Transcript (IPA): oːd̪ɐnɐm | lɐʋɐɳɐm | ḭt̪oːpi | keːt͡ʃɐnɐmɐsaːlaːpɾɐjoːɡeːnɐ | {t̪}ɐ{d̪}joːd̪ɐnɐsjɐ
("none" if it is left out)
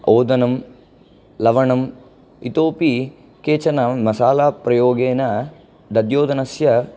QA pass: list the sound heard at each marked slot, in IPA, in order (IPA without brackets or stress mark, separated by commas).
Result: d̪, d̪